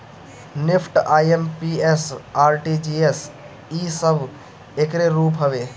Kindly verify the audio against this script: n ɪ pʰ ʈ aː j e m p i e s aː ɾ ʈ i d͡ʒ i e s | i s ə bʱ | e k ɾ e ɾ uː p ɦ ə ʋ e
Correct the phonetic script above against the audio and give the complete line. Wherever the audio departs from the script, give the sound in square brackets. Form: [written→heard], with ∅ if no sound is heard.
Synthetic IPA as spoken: n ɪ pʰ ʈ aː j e m p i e s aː ɾ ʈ i d͡ʒ i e s | i s ə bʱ | e k ɾ e ɾ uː p ɦ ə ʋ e